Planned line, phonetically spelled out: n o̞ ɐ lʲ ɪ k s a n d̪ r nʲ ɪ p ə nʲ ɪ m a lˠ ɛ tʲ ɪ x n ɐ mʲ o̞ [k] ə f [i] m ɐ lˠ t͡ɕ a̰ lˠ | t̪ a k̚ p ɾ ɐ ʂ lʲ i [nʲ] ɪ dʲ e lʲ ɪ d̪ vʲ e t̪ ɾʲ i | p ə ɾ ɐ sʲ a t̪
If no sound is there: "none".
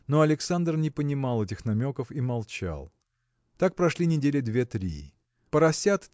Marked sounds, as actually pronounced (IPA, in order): k, i, nʲ

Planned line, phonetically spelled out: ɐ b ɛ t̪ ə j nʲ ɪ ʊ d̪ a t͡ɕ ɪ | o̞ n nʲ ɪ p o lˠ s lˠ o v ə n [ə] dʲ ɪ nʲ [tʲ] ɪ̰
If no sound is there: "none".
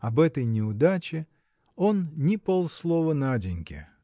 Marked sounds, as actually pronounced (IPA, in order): a, kʲ

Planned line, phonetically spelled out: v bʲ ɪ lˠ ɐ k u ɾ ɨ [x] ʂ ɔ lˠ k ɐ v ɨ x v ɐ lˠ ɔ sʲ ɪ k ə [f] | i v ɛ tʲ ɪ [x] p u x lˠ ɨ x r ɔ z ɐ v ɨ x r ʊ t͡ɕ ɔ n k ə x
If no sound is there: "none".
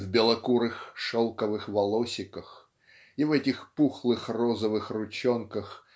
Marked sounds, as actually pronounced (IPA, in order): x, x, x

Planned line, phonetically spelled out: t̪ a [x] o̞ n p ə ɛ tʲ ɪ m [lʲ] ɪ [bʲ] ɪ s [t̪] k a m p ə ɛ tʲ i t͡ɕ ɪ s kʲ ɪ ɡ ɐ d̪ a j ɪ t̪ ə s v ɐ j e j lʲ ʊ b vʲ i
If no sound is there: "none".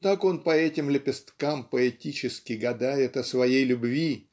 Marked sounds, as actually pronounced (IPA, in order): k, lʲ, pʲ, t̪

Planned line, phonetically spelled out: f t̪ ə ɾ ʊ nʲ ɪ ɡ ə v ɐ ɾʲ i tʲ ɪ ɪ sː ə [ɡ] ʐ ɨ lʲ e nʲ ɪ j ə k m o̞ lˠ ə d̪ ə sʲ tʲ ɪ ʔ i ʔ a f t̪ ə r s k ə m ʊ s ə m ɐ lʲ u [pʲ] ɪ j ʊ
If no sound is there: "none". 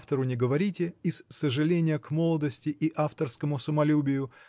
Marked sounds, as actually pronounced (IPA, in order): none, bʲ

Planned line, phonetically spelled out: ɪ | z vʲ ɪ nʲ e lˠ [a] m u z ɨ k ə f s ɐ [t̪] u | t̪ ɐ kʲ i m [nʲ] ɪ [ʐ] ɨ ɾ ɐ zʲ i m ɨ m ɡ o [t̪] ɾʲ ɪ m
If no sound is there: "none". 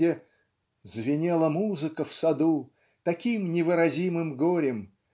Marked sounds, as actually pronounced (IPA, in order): ə, d̪, nʲ, v, none

